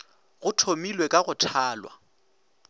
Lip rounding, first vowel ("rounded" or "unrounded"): rounded